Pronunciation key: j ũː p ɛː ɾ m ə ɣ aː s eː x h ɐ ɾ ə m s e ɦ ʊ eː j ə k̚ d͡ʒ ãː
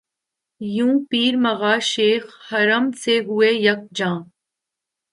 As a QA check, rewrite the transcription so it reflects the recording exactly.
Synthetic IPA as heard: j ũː p iː ɾ m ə ɣ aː ʃ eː x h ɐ ɾ ə m s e ɦ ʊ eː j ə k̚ d͡ʒ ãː